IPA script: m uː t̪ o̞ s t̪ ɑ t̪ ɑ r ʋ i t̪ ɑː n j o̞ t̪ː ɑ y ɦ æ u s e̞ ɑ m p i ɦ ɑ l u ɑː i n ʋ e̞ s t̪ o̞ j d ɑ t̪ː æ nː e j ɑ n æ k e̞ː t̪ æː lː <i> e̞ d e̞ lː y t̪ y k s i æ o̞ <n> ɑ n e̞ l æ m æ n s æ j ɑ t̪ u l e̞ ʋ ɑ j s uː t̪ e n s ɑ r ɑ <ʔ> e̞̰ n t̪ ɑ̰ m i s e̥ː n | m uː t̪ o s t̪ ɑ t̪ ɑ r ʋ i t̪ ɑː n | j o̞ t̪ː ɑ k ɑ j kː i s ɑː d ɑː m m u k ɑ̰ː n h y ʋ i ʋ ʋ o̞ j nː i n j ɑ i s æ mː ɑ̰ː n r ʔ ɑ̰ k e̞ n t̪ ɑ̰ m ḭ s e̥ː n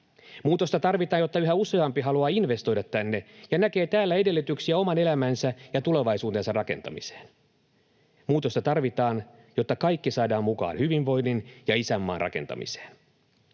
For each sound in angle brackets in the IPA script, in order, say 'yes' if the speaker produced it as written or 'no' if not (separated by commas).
no, no, no